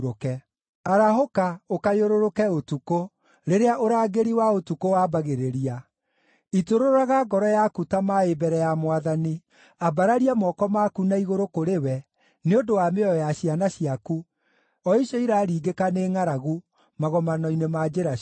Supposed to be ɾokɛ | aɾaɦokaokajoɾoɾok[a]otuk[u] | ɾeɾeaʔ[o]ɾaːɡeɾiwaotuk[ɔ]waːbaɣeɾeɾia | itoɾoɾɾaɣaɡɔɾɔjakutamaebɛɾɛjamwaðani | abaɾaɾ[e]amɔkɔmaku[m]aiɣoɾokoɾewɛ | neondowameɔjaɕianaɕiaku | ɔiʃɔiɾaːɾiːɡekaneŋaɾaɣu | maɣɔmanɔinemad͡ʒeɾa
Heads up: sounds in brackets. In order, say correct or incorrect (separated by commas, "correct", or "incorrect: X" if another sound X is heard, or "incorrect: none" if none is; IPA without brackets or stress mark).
incorrect: ɛ, incorrect: o, correct, incorrect: o, incorrect: i, incorrect: n